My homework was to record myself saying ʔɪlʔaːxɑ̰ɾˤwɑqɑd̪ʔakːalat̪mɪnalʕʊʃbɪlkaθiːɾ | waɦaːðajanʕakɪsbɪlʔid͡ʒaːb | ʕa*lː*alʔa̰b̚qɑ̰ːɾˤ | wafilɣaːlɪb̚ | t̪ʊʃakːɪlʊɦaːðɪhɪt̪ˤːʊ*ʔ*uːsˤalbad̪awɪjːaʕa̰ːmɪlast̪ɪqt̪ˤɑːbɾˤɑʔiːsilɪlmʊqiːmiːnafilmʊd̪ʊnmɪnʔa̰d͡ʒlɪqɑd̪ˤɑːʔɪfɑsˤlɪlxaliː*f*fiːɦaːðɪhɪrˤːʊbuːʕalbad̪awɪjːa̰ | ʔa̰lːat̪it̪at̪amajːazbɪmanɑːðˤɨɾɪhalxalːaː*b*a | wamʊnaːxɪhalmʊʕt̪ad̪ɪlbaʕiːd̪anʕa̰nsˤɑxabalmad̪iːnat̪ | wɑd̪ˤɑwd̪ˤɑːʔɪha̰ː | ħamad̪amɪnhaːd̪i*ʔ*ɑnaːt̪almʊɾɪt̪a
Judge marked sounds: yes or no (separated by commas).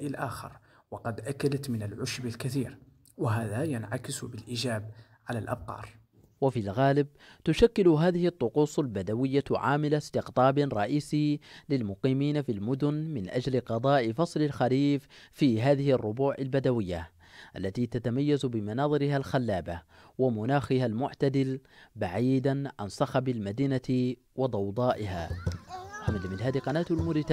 no, no, yes, yes, no